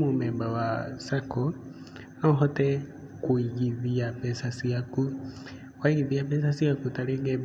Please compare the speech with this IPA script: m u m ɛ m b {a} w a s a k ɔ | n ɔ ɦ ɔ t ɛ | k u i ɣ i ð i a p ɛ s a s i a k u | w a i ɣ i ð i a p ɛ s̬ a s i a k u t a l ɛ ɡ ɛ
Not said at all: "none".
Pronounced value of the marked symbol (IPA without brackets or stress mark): a